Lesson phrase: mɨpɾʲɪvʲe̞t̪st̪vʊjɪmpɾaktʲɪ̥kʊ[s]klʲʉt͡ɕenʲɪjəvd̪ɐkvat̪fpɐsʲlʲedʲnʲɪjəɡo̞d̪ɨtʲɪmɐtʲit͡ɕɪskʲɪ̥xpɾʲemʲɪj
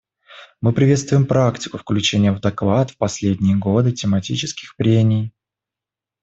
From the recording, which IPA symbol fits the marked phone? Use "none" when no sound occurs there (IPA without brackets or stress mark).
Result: f